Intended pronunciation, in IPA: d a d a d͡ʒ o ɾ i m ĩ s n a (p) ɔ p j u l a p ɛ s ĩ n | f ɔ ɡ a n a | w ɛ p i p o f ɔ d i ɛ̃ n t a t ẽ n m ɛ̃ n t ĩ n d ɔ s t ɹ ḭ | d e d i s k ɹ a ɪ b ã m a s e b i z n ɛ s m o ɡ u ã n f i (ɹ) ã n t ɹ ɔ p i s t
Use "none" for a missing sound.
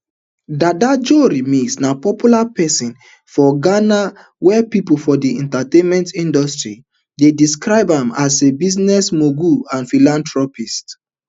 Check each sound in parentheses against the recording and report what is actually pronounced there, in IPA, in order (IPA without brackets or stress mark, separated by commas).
p, l